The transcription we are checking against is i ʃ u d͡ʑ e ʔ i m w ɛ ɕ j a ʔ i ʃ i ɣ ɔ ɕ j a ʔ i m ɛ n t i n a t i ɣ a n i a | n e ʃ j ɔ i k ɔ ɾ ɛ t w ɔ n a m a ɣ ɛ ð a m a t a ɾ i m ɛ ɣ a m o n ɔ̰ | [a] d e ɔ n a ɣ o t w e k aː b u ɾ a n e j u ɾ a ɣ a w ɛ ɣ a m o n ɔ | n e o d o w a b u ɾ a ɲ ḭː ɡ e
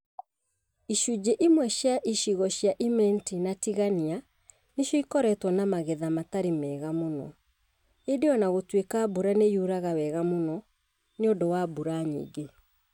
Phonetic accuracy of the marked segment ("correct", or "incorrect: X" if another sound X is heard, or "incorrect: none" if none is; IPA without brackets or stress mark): incorrect: e